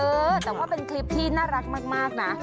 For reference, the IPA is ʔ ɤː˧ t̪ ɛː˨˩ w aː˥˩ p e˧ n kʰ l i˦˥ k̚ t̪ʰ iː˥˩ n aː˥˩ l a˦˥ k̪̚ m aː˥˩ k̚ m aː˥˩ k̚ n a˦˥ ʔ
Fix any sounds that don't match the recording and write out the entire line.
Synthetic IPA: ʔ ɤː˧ t̪ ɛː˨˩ w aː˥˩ p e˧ n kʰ l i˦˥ p̚ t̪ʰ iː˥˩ n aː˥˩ ɾ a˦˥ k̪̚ m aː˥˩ k̚ m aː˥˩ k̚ n a˦˥ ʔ